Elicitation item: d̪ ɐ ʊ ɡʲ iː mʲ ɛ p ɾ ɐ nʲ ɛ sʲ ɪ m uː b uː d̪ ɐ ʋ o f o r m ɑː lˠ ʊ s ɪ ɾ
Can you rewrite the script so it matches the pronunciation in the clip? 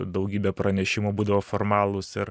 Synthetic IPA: d̪ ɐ ʊ ɡʲ iː bʲ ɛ p ɾ ɐ nʲ ɛ ʃʲ ɪ m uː b uː d̪ ɐ ʋ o f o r m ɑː lˠ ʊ s ɪ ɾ

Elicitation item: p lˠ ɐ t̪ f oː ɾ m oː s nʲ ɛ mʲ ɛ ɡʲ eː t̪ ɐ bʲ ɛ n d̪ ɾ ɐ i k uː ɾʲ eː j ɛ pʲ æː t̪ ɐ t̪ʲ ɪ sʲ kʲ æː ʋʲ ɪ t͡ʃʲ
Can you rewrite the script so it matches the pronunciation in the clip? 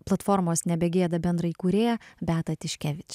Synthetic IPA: p lˠ ɐ t̪ f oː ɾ m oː s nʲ ɛ bʲ ɛ ɡʲ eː d̪ ɐ bʲ ɛ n d̪ ɾ ɐ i k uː ɾʲ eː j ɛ bʲ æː t̪ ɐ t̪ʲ ɪ ʃʲ kʲ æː ʋʲ ɪ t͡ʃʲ

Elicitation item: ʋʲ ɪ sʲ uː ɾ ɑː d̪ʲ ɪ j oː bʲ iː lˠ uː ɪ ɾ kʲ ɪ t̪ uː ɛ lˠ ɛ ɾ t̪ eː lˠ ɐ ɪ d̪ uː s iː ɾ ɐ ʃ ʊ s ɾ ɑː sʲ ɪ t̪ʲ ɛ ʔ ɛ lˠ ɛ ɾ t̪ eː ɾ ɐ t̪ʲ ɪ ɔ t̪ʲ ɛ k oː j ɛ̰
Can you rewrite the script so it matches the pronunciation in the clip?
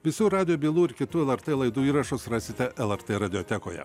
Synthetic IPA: ʋʲ ɪ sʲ uː ɾ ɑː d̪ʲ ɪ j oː bʲ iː lˠ uː ɪ ɾ kʲ ɪ t̪ uː ɛ lˠ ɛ ɾ t̪ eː lˠ ɐ ɪ d̪ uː iː ɾ ɐ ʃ ʊ s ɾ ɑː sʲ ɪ t̪ʲ ɛ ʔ ɛ lˠ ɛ ɾ t̪ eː ɾ ɐ d̪ʲ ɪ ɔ t̪ʲ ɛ k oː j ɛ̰

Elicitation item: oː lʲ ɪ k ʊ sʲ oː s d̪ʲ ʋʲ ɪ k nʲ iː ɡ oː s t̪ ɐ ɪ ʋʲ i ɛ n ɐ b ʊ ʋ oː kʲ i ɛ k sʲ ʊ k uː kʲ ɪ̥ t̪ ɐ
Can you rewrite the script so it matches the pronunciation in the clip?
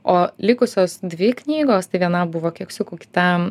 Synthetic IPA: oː lʲ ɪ k ʊ sʲ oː s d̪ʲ ʋʲ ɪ k nʲ iː ɡ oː s t̪ ɐ ɪ ʋʲ i ɛ n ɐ b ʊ ʋ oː kʲ i ɛ k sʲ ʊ k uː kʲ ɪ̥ t̪ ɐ

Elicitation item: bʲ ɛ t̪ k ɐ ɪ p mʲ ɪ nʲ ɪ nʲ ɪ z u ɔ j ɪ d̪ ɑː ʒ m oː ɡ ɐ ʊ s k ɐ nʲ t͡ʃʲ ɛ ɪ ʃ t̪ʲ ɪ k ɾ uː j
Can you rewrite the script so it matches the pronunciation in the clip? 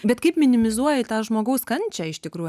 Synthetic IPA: bʲ ɛ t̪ k ɐ ɪ p mʲ ɪ nʲ ɪ mʲ ɪ z u ɔ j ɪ t̪ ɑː ʒ m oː ɡ ɐ ʊ s k ɐ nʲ t͡ʃʲ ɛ ɪ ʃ t̪ʲ ɪ k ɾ uː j

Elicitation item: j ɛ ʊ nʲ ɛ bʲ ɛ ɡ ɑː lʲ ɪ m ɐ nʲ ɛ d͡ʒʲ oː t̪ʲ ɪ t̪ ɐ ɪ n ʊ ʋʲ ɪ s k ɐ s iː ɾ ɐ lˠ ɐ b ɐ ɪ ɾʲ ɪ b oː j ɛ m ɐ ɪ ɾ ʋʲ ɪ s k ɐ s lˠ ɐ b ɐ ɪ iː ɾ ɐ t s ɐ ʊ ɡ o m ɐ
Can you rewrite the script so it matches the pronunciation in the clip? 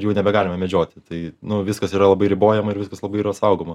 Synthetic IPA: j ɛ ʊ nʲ ɛ bʲ ɛ ɡ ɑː lʲ ɪ m ɐ mʲ ɛ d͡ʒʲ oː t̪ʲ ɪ t̪ ɐ ɪ n ʊ ʋʲ ɪ s k ɐ s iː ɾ ɐ lˠ ɐ b ɐ ɪ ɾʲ ɪ b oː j ɛ m ɐ ɪ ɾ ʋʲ ɪ s k ɐ s lˠ ɐ b ɐ ɪ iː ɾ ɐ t s ɐ ʊ ɡ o m ɐ

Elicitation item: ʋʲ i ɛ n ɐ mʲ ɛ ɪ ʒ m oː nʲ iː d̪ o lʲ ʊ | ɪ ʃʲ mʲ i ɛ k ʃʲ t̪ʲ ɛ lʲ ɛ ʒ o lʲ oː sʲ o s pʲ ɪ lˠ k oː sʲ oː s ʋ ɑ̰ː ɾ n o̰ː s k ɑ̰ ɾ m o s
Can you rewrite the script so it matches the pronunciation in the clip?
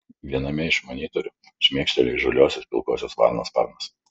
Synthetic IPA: ʋʲ i ɛ n ɐ mʲ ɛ ɪ ʃ m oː nʲ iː t̪ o ɾʲ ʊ | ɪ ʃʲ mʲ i ɛ k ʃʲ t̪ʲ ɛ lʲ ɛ ʒ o lʲ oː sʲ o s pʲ ɪ lˠ k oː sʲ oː s ʋ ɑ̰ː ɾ n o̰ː s p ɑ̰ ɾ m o s

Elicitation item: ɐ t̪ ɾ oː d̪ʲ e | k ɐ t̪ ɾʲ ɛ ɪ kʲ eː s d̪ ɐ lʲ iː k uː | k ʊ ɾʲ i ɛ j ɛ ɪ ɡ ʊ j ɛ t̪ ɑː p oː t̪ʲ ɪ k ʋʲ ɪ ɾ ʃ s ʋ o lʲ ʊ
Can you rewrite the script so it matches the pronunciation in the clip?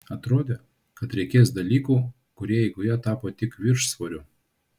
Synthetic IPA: ɐ t̪ ɾ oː d̪ʲ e | k ɐ t̪ ɾʲ ɛ ɪ kʲ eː s d̪ ɐ lʲ iː k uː | k ʊ ɾʲ i ɛ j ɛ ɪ ɡ ʊ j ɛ t̪ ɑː p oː t̪ʲ ɪ k ʋʲ ɪ ɾ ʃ s ʋ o ɾʲ ʊ

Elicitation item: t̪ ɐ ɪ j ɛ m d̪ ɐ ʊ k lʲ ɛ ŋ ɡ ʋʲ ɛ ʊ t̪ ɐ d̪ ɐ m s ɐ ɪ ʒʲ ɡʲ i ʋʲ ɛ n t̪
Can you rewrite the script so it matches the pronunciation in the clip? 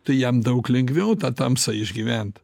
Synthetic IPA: t̪ ɐ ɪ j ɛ m d̪ ɐ ʊ k lʲ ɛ ŋ ɡ ʋʲ ɛ ʊ t̪ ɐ t̪ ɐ m s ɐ ɪ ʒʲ ɡʲ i ʋʲ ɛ n t̪

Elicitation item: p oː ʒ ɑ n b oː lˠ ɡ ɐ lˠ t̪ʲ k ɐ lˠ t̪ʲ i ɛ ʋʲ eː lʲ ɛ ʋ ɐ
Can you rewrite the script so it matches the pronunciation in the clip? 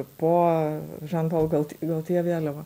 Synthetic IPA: p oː ʒ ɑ n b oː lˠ ɡ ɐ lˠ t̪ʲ ɡ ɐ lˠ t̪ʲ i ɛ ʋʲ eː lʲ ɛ ʋ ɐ

